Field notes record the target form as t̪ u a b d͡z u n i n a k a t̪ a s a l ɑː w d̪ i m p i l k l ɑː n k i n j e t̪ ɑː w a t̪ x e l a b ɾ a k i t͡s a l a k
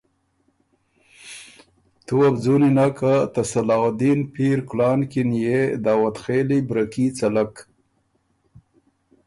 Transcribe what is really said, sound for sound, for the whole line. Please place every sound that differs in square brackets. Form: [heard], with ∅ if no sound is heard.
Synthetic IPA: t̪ u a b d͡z u n i n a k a t̪ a s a l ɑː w d̪ i [n] p i [ɾ] k l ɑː n k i n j e [d̪] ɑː w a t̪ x e l [i] b ɾ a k i t͡s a l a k